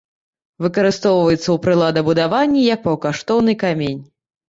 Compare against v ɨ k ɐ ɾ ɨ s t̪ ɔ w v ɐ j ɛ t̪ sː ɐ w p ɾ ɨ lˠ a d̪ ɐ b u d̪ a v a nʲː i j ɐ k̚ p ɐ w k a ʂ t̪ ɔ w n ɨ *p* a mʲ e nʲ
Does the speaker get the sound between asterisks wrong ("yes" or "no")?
yes